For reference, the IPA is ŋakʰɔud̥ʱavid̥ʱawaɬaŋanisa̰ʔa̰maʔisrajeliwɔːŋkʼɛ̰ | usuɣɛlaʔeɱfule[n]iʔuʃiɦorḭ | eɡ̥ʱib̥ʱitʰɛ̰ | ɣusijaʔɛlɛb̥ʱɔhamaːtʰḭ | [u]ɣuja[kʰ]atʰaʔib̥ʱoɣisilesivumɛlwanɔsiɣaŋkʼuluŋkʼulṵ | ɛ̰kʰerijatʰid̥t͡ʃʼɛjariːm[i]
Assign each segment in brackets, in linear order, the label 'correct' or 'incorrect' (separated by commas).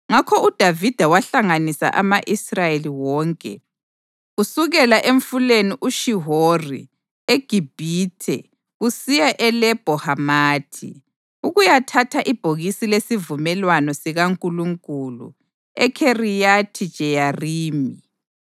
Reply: correct, correct, incorrect, correct